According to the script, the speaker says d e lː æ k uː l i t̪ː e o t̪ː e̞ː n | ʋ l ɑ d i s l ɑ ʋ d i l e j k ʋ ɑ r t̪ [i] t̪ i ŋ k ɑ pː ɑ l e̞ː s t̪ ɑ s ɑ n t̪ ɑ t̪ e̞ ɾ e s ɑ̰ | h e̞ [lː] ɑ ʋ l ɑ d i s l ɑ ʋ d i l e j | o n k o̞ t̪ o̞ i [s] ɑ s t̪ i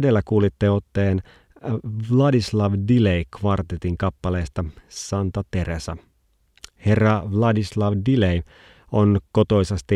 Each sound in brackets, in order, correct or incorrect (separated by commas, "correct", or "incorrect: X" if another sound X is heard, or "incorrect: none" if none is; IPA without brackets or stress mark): incorrect: e, incorrect: rː, correct